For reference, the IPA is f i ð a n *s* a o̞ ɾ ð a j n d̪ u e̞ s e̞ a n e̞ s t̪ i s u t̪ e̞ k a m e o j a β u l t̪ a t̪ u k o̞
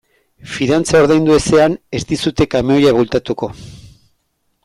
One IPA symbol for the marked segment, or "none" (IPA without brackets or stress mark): t͡s